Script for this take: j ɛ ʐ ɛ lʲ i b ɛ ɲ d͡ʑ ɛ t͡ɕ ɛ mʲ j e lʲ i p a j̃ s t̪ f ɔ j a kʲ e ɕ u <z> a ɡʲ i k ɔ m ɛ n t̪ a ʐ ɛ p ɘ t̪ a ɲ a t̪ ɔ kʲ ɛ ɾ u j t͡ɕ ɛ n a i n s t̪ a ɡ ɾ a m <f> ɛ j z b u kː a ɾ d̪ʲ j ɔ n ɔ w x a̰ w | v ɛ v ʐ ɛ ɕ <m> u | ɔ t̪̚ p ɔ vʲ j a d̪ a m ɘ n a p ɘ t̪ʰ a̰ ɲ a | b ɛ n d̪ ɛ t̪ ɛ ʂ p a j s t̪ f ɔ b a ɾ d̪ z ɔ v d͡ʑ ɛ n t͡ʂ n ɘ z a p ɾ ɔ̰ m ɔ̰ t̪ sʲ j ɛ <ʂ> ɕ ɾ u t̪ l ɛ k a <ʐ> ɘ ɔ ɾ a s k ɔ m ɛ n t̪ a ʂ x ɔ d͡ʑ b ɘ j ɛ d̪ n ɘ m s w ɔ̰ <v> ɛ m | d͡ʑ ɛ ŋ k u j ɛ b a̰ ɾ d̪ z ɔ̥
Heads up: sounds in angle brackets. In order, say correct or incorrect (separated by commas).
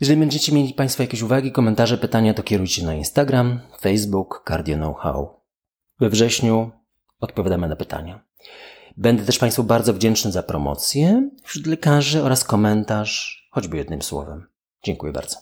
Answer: incorrect, correct, incorrect, incorrect, correct, correct